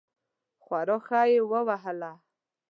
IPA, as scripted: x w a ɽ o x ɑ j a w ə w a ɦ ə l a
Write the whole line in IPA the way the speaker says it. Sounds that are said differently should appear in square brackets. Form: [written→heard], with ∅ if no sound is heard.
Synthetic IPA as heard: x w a [ɽ→ɾ] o x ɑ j [a→e] w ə w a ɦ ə l a